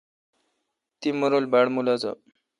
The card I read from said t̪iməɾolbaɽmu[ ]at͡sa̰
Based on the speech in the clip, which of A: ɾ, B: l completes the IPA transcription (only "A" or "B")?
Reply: B